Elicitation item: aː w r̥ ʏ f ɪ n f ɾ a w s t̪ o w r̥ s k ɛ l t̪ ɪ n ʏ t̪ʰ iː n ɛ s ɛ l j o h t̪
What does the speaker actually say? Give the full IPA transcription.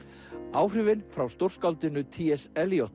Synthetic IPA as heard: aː w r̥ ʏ v ɪ n f ɾ a w s t̪ o w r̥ s k a l t̪ ɪ n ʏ t̪ʰ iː ɛ s ɛ l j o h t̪

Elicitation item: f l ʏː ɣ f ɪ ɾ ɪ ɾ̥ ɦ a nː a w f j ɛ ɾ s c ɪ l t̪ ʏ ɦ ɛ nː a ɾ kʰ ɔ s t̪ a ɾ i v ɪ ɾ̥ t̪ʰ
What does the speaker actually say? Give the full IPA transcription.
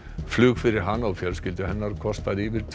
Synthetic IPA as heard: f l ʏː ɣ f ɪ ɾ ɪ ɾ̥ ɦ a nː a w f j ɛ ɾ s c ɪ l t̪ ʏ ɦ ɛ nː a ɾ kʰ ɔ s t̪ a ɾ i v ɪ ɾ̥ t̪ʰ

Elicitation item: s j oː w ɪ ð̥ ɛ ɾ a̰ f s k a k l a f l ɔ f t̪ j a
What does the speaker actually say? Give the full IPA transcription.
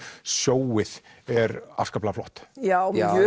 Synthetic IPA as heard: s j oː w ɪ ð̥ ɛ ɾ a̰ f s k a p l a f l ɔ h t̪ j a

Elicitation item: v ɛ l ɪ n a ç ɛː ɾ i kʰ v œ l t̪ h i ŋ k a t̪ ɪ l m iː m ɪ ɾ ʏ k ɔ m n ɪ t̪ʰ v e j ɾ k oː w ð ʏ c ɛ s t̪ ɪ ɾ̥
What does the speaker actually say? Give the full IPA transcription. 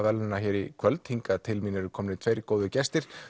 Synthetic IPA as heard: v ɛ l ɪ n a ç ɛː ɾ i kʰ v œ l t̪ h i ŋ k a t̪ʰ ɪ l m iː n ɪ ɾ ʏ kʰ ɔ m n ɪ t̪ʰ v e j ɾ k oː w ð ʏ c ɛ s t̪ ɪ ɾ̥

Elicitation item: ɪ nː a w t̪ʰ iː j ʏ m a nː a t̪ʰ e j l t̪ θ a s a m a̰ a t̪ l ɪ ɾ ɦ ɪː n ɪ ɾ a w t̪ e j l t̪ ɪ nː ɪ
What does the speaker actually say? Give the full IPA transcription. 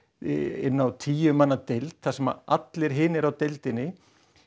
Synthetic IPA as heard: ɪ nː a w t̪ʰ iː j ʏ m a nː a t̪ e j l t̪ θ a s ɛ m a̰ a t̪ l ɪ ɾ ɦ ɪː n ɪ ɾ a w t̪ e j l t̪ ɪ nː ɪ

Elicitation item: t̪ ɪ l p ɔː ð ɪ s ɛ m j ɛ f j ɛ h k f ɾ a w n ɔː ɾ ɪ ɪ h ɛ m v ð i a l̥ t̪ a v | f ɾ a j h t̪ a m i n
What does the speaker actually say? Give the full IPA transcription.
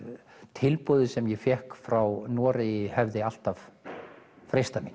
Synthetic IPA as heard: t̪ʰ ɪ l p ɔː ð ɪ s ɛ m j ɛ f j ɛ h k f ɾ a w n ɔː ɾ ɪ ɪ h ɛ v ð ɪ a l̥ t̪ a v | f ɾ e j s t̪ a m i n

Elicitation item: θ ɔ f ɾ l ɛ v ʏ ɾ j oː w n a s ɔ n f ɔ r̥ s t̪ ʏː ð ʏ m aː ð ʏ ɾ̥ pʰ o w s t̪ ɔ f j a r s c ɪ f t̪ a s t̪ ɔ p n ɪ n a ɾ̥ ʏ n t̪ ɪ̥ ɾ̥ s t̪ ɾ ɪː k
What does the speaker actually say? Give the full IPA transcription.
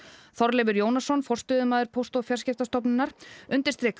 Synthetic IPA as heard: θ ɔ ɾ l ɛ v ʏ ɾ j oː w n a s ɔ n f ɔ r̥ s t̪ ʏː ð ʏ m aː ð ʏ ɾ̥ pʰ o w s t̪ ɔ f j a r s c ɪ f t̪ a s t̪ ɔ p n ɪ n a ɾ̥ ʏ n t̪ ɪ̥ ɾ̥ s t̪ ɾ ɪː k

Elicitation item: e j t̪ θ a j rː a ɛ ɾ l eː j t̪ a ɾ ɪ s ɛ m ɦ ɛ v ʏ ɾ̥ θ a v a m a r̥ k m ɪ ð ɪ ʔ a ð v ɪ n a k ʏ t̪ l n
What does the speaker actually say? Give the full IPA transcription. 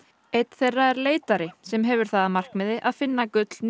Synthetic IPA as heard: e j t̪ θ e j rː a ɛ ɾ l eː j t̪ a ɾ ɪ s ɛ m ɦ ɛ v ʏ ɾ̥ θ a ð a m a r̥ k m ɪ ð ɪ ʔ a ð f ɪ nː a k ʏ t̪ l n

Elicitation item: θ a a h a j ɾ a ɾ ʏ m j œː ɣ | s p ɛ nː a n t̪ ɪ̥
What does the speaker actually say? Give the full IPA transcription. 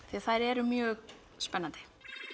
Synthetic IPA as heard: θ i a θ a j ɾ ɛ ɾ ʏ m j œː ɣ | s p ɛ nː a n t̪ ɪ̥

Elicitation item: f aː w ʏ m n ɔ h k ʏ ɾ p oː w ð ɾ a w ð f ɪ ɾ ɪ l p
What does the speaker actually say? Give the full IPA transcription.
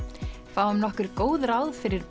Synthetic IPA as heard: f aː w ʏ m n ɔ h k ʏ ɾ k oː w ð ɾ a w ð f ɪ ɾ ɪ ɾ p

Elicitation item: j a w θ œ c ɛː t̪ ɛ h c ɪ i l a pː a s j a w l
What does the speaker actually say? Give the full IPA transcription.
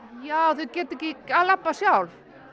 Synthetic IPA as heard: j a w θ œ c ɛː t̪ ɛ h c ɪ a l a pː a s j a w l

